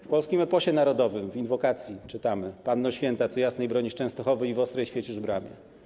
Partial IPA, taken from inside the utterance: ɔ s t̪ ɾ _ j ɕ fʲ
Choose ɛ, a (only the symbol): ɛ